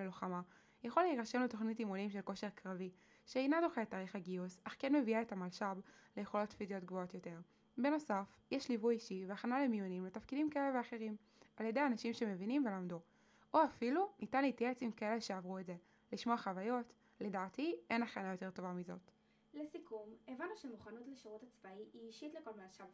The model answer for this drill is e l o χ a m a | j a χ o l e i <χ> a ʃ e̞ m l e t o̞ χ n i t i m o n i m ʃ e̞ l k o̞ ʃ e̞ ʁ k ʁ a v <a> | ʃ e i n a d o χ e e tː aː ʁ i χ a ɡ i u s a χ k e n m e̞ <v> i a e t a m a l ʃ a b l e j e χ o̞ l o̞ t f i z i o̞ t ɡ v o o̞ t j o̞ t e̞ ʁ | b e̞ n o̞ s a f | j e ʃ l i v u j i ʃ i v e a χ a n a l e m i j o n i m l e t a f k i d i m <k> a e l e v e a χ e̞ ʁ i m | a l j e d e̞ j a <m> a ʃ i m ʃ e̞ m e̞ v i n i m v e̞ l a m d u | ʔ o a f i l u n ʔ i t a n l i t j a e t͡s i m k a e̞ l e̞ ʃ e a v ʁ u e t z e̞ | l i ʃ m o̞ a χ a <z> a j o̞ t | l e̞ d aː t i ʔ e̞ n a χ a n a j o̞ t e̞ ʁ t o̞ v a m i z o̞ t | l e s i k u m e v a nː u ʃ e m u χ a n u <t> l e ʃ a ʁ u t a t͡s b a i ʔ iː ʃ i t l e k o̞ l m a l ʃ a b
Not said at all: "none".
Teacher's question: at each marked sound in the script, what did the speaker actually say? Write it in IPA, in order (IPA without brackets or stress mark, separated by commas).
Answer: ʁ, i, v, k, n, v, t